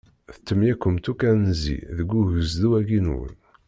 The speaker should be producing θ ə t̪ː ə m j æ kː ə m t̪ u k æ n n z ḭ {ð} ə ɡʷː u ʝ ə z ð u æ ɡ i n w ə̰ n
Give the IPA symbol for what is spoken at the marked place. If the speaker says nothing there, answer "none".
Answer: ð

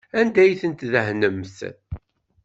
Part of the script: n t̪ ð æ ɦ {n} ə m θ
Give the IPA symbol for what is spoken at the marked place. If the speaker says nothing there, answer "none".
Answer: n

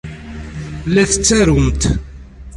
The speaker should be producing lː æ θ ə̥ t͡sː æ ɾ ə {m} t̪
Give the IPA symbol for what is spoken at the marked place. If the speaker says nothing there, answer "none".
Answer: m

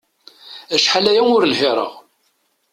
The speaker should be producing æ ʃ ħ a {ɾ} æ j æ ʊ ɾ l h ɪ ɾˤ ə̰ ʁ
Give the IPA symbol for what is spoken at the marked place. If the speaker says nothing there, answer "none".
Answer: l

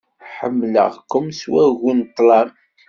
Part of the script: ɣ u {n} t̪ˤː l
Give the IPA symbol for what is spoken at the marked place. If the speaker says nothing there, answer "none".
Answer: n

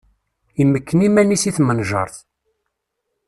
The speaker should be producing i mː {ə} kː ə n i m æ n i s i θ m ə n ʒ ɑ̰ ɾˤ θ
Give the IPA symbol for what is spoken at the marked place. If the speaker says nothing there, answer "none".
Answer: ə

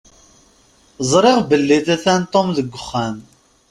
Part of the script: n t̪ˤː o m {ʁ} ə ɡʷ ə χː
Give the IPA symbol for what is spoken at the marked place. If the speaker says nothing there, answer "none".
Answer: ð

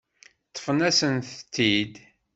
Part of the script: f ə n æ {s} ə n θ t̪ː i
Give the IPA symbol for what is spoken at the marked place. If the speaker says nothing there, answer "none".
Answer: s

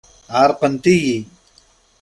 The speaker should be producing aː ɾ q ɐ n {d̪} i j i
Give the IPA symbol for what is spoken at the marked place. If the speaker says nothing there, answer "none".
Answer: t̪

